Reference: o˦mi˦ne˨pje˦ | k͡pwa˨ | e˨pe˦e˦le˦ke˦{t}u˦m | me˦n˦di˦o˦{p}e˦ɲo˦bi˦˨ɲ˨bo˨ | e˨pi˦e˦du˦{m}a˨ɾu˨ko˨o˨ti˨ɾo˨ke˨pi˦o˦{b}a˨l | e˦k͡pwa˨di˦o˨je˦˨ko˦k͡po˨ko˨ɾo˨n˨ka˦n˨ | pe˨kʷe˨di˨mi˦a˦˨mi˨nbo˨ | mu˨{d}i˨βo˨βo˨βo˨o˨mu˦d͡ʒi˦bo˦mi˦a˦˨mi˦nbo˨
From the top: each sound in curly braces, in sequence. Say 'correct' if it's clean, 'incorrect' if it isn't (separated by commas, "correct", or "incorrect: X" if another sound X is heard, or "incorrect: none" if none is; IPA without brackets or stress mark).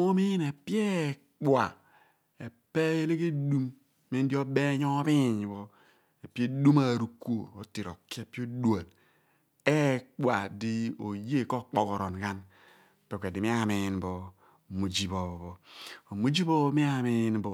incorrect: d, incorrect: b, correct, incorrect: d, incorrect: d͡ʒ